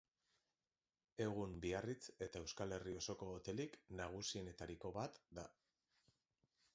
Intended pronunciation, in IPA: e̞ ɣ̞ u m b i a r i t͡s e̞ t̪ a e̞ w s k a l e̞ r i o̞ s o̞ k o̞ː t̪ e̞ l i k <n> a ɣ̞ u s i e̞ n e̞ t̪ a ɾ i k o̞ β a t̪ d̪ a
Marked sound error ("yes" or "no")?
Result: no